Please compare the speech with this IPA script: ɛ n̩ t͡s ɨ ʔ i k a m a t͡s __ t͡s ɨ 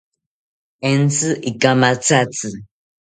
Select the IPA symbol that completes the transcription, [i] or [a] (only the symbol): a